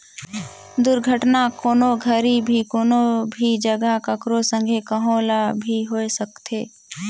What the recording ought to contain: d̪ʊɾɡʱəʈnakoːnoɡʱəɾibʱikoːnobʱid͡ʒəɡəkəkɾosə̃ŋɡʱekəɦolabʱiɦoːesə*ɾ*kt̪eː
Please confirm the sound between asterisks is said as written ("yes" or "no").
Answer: no